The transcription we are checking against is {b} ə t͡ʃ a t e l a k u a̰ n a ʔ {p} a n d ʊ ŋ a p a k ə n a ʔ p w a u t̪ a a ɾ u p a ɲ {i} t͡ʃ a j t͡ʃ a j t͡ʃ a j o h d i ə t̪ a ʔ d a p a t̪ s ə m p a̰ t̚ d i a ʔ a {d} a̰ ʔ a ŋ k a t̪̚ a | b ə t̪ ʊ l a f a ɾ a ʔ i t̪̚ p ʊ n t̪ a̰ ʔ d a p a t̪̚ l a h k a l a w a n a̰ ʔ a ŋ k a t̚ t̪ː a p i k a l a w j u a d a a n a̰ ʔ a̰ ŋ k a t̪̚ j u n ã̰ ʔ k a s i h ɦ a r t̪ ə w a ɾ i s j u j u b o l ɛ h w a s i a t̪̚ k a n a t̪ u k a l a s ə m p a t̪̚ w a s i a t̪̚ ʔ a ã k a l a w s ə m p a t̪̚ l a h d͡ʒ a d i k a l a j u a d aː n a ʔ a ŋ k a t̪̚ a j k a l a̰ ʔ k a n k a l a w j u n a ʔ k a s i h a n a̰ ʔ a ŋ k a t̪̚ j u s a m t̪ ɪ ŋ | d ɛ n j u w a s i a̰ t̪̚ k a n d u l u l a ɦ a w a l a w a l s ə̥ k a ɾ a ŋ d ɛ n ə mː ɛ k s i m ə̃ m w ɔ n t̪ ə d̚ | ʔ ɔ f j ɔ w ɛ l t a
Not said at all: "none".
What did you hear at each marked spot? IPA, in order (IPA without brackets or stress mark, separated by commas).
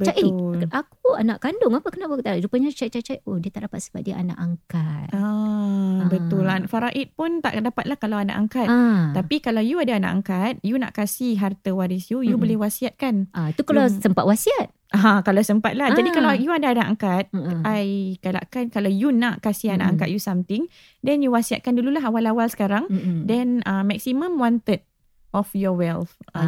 b, k, a, n